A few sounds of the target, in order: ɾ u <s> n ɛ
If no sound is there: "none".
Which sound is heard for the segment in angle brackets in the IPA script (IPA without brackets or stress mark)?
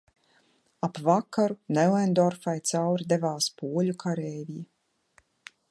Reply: none